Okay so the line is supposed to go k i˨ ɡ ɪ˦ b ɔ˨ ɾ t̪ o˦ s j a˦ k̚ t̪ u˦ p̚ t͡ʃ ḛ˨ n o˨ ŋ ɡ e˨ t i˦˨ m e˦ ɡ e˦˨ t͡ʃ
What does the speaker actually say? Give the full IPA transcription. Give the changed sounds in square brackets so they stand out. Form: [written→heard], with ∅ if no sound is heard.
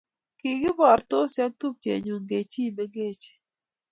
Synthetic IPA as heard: k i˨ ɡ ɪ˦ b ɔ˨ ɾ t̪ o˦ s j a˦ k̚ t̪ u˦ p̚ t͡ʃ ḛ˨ [n→ɲ] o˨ ŋ ɡ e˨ [t→t͡ʃ] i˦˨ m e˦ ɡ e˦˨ t͡ʃ